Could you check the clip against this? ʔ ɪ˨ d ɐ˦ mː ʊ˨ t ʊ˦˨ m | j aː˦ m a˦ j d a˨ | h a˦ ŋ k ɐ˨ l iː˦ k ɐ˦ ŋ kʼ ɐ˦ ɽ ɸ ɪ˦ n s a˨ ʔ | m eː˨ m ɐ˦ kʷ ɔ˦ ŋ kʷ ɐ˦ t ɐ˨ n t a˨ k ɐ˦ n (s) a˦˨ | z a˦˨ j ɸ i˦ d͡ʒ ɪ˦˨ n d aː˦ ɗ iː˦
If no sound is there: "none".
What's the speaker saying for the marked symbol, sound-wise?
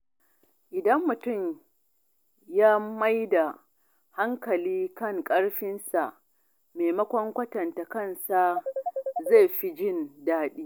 s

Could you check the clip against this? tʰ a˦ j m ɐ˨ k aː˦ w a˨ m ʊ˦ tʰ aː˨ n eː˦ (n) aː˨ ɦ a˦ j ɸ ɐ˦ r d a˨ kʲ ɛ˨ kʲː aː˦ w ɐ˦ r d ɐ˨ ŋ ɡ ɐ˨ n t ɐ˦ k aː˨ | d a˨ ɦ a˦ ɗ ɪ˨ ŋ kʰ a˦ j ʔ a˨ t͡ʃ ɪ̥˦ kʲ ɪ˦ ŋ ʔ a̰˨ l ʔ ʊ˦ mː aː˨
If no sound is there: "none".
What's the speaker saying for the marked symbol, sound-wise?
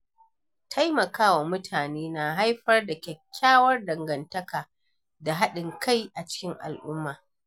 n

